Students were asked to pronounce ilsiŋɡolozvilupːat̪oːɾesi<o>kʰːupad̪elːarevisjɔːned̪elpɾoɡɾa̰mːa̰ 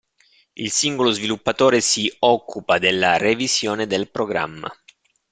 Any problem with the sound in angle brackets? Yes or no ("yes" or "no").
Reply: yes